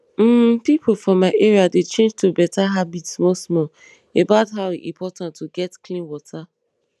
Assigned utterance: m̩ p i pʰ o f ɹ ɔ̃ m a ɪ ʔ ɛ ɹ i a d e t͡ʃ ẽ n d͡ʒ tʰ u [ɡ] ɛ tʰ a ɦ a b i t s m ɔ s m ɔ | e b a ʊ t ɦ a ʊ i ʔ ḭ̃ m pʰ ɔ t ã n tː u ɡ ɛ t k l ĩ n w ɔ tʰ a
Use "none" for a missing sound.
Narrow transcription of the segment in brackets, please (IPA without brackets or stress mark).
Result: b